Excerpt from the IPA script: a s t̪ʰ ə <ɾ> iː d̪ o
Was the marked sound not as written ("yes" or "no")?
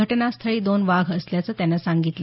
yes